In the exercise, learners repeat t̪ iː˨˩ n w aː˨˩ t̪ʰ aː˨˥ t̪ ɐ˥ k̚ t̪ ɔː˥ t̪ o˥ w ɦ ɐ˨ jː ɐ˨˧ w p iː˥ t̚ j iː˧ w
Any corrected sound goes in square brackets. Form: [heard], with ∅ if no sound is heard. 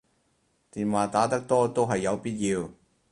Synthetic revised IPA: t̪ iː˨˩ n w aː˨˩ [t̪] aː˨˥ t̪ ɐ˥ k̚ t̪ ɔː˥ t̪ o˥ w ɦ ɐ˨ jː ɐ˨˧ w p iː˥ t̚ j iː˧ w